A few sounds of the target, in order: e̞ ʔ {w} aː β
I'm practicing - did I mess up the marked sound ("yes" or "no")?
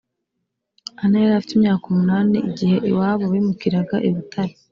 no